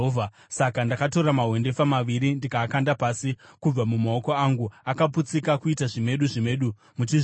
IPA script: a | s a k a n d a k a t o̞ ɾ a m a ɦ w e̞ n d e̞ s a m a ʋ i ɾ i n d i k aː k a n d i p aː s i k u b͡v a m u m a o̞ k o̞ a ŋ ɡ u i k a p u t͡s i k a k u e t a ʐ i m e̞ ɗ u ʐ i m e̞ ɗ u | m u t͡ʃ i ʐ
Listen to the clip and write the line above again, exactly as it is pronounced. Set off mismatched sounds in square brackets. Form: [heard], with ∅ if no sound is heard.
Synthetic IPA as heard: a | s a k a n d a k a t o̞ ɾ a m a ɦ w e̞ n d e̞ [f] a m a ʋ i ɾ i n d i k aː k a n d [a] p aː s i k u b͡v a m u m a o̞ k o̞ a ŋ ɡ u [a] k a p u t͡s i k a k u [i] t a ʐ i m e̞ ɗ u ʐ i m e̞ ɗ u | m u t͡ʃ i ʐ